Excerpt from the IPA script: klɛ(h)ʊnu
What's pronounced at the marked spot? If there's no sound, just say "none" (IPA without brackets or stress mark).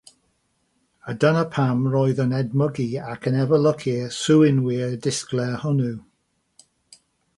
h